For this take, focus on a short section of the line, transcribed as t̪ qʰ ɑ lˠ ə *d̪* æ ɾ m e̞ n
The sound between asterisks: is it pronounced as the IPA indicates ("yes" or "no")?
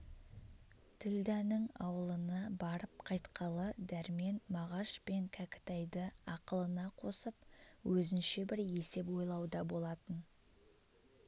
yes